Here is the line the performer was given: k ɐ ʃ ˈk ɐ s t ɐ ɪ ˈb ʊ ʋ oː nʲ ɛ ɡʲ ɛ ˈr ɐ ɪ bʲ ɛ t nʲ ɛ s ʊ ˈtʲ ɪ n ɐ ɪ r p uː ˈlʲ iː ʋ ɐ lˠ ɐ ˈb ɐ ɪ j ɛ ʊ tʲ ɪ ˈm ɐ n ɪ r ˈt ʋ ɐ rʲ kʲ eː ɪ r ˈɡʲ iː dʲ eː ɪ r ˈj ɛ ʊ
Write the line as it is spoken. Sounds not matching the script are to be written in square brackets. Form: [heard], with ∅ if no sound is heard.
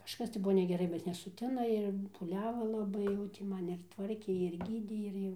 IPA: k ɐ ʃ ˈk ɐ s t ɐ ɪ ˈb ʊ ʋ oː nʲ ɛ ɡʲ ɛ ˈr ɐ ɪ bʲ ɛ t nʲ ɛ s ʊ ˈtʲ ɪ n ɐ ɪ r p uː ˈlʲ [æː] ʋ ɐ lˠ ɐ ˈb ɐ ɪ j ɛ ʊ tʲ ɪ ˈm ɐ n ɪ r ˈt ʋ ɐ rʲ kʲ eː ɪ r ˈɡʲ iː dʲ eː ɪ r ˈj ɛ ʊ